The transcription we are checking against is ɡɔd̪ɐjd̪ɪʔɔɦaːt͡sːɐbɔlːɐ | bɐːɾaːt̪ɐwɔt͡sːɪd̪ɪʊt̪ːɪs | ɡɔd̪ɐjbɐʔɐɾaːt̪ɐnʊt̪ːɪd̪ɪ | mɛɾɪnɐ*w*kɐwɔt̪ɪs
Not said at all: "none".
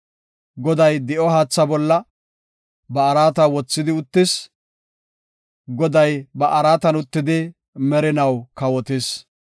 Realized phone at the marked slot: w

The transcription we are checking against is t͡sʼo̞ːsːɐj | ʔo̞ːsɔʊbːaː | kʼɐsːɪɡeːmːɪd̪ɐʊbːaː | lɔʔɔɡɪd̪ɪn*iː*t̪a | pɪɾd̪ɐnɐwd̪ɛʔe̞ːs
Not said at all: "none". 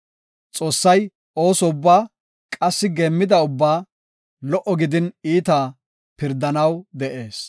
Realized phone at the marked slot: iː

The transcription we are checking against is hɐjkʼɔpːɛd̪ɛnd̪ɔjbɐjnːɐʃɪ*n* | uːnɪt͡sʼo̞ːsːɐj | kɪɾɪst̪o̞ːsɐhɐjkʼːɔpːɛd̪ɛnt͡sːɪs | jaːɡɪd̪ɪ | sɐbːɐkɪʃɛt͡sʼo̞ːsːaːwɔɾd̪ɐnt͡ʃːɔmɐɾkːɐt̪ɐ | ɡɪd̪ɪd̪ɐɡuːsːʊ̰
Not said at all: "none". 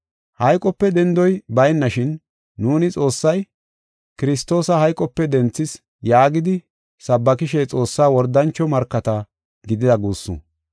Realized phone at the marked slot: nː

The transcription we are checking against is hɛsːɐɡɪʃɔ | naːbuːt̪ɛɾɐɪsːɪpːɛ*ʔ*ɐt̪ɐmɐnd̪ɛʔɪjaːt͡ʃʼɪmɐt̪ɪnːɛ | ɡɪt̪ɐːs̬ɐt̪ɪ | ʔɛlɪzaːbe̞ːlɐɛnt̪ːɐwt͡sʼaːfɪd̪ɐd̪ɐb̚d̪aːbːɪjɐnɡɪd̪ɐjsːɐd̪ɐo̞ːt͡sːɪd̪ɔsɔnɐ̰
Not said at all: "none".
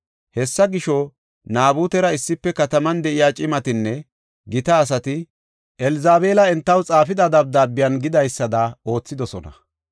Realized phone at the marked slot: k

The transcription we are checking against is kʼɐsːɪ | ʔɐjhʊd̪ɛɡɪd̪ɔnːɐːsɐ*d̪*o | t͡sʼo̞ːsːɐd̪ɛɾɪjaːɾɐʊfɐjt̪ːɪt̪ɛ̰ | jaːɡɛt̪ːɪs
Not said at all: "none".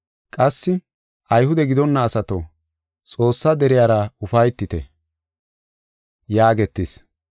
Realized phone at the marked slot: t̪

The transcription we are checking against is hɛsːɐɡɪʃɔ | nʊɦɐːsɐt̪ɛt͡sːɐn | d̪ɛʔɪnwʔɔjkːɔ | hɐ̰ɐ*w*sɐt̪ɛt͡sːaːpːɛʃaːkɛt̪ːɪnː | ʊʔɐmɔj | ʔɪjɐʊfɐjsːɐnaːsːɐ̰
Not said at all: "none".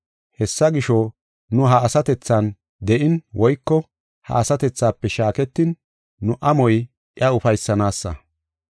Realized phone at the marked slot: none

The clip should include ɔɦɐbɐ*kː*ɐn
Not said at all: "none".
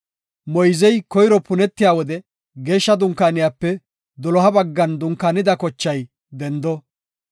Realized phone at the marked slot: ɡː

